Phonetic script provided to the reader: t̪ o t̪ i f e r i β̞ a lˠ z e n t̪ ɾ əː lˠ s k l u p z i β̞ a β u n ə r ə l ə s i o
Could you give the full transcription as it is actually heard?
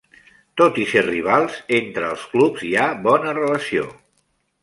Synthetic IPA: t̪ o t̪ i s e r i β̞ a lˠ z e n t̪ ɾ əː lˠ s k l u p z i a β ɔ n ə r ə l ə s i o